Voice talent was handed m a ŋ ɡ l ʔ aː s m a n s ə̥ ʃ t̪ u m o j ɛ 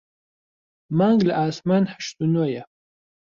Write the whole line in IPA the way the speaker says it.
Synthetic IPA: m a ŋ ɡ l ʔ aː s m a n ħ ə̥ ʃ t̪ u n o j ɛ